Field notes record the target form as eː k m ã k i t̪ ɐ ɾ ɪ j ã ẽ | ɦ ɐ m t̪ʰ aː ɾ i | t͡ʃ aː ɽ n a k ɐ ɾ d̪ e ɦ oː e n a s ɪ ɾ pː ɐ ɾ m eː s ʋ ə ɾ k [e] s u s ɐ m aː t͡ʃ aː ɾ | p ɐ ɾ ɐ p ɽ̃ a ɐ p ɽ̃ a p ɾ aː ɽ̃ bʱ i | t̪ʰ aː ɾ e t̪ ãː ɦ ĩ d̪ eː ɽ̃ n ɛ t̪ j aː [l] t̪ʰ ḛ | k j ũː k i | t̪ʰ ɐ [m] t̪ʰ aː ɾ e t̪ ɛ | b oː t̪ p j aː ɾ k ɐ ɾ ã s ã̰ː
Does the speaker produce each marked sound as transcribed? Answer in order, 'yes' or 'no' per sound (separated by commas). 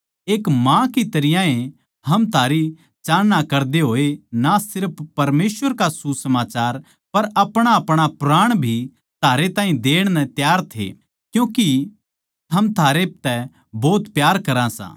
no, no, yes